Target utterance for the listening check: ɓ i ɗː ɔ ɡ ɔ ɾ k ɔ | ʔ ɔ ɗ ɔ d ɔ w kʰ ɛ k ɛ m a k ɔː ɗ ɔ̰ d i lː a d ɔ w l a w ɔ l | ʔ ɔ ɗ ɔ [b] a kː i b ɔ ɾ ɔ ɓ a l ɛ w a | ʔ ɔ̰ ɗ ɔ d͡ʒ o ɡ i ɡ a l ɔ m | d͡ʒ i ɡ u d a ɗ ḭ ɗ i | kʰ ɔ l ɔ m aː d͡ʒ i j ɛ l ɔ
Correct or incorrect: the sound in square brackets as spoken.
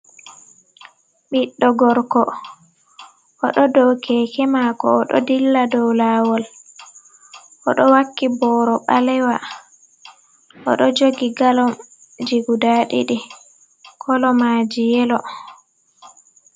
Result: incorrect: w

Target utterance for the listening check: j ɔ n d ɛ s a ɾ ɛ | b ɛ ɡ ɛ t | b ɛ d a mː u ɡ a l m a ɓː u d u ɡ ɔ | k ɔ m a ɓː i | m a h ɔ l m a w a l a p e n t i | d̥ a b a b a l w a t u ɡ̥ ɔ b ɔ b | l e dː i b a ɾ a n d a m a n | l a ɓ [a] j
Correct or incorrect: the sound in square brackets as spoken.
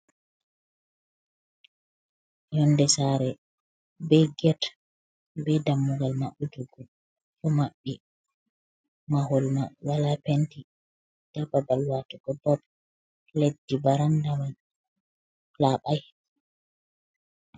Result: correct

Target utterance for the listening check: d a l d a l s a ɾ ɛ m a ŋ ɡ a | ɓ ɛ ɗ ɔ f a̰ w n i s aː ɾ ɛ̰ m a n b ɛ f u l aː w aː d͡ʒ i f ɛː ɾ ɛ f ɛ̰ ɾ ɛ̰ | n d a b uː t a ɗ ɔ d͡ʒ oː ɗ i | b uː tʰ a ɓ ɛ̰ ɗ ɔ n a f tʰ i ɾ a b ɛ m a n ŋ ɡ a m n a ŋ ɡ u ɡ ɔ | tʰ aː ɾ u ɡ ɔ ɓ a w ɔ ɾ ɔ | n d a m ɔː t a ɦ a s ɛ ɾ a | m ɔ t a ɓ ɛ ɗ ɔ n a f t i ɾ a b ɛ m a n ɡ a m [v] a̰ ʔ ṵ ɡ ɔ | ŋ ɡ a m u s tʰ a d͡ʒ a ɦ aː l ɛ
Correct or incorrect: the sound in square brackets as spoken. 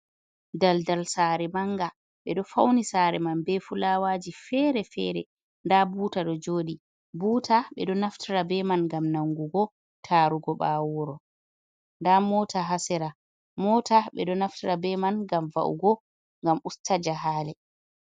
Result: correct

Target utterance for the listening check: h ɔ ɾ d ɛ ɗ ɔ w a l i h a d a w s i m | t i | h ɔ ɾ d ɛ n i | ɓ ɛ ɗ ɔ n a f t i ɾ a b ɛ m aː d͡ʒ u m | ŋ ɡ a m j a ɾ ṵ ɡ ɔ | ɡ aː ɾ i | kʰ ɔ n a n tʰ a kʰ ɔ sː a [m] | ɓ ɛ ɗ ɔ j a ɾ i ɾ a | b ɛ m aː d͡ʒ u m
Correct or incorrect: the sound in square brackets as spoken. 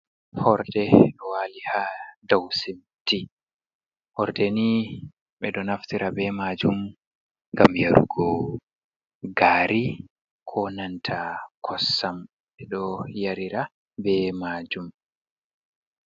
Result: correct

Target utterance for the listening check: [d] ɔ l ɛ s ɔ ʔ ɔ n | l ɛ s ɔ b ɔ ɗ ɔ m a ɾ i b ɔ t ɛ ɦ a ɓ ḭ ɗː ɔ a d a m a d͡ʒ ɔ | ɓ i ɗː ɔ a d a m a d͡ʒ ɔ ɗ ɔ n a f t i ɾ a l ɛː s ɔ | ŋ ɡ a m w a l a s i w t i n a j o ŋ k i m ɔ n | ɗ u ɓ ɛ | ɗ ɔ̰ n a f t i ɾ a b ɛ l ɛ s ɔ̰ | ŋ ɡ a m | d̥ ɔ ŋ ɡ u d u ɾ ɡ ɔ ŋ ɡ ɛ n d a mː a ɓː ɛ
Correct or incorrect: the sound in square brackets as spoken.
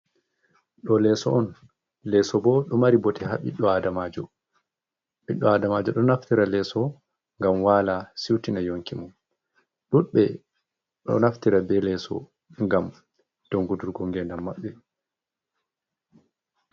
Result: incorrect: ɗ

